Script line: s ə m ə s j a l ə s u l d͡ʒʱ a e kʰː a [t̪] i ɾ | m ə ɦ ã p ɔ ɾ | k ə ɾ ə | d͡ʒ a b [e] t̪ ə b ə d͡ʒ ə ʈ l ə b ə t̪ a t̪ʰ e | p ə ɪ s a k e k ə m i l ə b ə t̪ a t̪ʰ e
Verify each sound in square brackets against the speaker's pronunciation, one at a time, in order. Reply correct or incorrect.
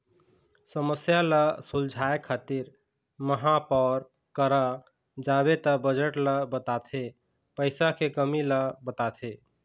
correct, correct

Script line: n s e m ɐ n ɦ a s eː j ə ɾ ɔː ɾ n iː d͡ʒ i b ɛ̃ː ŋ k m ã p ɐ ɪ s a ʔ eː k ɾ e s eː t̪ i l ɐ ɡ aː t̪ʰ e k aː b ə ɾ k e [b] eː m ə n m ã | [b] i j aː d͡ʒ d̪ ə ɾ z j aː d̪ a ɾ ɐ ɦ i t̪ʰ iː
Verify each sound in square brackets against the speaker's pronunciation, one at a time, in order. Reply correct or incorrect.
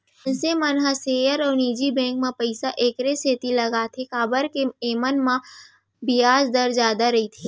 incorrect: none, correct

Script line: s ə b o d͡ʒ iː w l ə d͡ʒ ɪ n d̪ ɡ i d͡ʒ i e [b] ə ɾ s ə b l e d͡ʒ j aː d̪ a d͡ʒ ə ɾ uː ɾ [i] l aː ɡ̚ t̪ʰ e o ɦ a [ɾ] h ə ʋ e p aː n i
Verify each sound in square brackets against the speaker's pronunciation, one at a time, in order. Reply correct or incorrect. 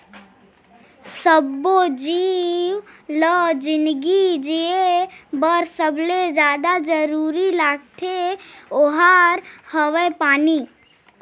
correct, correct, correct

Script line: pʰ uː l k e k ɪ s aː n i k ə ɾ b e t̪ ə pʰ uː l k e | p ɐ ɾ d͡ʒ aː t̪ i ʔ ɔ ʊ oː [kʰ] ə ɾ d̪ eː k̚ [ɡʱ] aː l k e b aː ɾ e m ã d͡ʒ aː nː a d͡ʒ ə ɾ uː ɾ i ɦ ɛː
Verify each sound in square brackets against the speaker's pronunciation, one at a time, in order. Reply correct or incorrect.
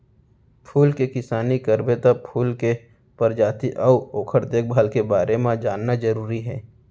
correct, incorrect: bʱ

